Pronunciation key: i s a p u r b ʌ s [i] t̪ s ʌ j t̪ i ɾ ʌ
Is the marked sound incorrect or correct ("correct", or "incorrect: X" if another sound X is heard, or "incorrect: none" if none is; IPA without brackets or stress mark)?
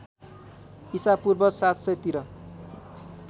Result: incorrect: a